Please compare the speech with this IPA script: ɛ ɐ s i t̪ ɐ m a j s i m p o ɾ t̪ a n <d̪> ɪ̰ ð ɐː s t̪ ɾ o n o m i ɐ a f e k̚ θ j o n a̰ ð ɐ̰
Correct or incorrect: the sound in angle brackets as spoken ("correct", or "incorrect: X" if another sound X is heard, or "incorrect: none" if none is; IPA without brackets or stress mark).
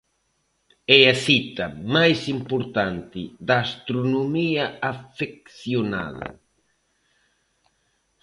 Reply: incorrect: t̪